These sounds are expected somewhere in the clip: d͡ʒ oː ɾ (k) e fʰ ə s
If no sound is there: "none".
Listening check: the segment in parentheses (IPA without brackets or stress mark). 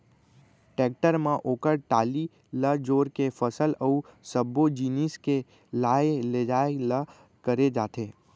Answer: k